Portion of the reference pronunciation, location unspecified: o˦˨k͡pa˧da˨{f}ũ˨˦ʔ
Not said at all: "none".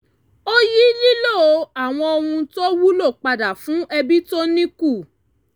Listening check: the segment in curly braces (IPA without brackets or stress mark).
f